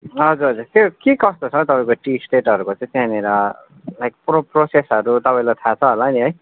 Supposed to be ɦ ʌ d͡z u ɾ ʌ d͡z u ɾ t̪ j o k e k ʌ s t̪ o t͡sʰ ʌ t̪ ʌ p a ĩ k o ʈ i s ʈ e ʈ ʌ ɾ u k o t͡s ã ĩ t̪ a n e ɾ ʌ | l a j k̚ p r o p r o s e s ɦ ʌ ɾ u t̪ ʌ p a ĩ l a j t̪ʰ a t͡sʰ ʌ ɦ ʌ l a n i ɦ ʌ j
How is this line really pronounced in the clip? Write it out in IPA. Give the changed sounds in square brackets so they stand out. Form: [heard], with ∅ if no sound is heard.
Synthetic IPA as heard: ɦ ʌ d͡z u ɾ ʌ d͡z u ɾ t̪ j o k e k ʌ s t̪ o t͡sʰ ʌ t̪ ʌ p a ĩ k o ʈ i s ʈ e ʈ ʌ ɾ u k o t͡s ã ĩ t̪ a n e ɾ ʌ | l a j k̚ p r o p r o s e s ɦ ʌ ɾ u t̪ ʌ p a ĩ l a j t̪ʰ a t͡sʰ ʌ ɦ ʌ l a n i ɦ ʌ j